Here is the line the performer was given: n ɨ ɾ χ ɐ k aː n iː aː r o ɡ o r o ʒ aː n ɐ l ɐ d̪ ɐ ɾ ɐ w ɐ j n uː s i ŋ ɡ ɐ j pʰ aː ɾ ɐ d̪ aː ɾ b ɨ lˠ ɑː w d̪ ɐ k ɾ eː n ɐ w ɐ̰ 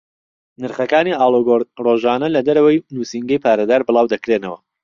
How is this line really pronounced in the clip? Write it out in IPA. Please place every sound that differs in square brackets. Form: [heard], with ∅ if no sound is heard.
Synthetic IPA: n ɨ ɾ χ ɐ k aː n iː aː [l] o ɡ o r o ʒ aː n ɐ l ɐ d̪ ɐ ɾ ɐ w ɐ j n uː s i ŋ ɡ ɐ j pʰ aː ɾ ɐ d̪ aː ɾ b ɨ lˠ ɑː w d̪ ɐ k ɾ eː n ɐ w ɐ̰